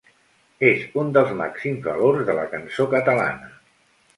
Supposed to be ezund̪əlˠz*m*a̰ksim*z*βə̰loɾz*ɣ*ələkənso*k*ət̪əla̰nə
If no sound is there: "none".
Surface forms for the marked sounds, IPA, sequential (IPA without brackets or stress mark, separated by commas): m, z, ð, k